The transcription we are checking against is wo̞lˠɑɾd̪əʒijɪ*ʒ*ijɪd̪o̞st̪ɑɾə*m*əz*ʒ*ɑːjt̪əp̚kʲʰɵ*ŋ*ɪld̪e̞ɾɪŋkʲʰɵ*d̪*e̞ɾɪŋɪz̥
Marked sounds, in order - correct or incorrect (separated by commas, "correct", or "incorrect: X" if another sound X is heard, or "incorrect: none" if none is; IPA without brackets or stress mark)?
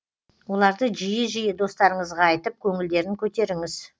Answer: correct, incorrect: ɴ, incorrect: ʁ, correct, incorrect: t̪